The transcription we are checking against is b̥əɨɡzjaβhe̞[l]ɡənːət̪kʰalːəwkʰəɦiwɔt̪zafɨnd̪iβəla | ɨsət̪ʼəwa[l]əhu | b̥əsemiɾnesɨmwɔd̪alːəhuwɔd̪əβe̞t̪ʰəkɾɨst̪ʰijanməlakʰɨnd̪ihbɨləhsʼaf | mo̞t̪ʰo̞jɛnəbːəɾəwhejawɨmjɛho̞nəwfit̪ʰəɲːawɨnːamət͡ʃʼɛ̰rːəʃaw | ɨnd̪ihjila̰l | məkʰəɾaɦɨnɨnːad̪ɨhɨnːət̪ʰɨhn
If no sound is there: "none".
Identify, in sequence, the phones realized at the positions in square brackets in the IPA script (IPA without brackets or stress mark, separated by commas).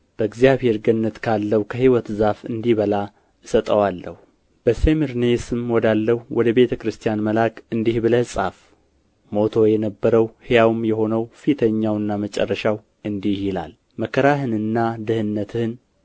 ɾ, lː